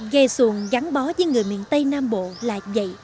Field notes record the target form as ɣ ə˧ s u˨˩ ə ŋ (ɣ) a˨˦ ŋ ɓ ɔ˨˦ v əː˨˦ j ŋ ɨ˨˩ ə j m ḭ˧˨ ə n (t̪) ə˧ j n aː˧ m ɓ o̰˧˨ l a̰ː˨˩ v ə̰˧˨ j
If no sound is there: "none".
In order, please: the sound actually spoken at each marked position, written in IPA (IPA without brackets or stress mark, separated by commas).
ɣ, t̪